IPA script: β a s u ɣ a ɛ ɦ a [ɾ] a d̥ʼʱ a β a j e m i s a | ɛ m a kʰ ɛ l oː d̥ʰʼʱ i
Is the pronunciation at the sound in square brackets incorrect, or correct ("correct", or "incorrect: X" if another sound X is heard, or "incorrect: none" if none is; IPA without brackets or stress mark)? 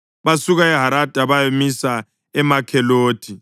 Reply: correct